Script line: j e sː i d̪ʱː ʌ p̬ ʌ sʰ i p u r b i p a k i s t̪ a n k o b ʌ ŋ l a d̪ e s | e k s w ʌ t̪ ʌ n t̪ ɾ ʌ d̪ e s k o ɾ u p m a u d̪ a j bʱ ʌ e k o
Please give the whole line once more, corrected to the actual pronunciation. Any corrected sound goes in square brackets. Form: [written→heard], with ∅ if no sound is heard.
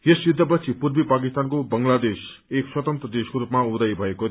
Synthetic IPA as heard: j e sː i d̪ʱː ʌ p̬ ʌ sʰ i p u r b i p a k i s t̪ a n k o b ʌ ŋ l a d̪ e s | e k s w ʌ t̪ ʌ n t̪ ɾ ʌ d̪ e s k o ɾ u p m a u d̪ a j bʱ ʌ e k o